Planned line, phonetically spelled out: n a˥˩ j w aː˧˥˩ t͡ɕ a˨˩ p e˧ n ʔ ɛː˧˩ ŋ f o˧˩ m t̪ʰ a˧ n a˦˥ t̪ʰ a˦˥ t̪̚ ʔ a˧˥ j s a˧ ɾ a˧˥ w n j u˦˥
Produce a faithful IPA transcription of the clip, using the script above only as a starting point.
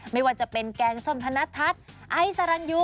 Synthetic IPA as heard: m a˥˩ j w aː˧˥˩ t͡ɕ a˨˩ p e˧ n k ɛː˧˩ ŋ s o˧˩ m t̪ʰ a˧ n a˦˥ t̪ʰ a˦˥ t̪̚ ʔ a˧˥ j s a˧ ɾ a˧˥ n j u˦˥